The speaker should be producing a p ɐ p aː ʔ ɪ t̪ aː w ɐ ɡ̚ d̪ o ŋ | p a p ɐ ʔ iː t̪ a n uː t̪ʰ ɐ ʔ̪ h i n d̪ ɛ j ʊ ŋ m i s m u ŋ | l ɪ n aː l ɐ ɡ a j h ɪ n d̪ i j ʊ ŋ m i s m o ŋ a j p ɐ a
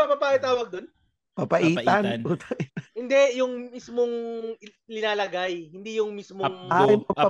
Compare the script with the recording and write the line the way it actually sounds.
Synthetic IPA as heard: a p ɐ p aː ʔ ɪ t̪ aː w ɐ ɡ̚ d̪ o n | p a p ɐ ʔ iː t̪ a n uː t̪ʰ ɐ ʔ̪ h ɪ n d̪ ɛ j ʊ ŋ m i s m o ŋ | l ɪ n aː l ɐ ɡ a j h ɪ n d̪ i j ʊ ŋ m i s m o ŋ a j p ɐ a